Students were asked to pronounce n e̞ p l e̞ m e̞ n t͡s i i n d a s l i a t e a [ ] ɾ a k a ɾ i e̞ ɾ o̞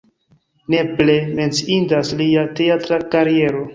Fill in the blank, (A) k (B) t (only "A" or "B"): B